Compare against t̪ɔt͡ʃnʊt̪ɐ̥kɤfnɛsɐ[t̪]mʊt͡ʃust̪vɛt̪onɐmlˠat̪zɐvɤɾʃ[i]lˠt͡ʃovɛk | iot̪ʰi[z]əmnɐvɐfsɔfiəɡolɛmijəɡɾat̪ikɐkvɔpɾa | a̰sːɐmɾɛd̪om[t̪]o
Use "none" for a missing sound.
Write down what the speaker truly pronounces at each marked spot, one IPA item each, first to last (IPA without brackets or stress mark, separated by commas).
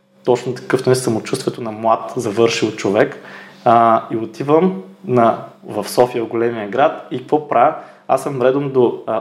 none, i, v, d̪